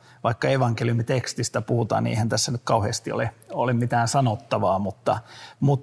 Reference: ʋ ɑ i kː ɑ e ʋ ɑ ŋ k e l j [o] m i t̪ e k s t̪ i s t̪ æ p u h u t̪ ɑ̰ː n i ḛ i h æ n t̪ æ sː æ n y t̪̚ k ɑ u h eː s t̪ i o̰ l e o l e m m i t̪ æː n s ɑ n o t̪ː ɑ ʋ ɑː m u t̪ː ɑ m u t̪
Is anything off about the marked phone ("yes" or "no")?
yes